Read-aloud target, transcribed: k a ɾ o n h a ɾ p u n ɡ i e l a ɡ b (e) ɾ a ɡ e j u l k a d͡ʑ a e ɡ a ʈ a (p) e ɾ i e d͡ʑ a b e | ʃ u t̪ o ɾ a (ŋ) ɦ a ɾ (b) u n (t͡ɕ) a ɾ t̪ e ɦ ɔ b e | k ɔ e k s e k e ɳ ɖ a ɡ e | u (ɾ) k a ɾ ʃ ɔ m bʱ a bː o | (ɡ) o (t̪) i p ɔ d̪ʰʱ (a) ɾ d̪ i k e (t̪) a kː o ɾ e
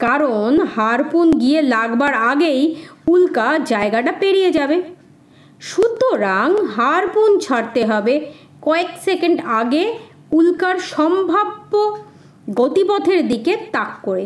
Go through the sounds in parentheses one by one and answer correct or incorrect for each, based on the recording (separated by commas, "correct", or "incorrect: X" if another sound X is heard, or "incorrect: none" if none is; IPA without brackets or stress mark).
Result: incorrect: a, correct, correct, incorrect: p, incorrect: t͡ɕʰ, incorrect: l, correct, correct, incorrect: e, correct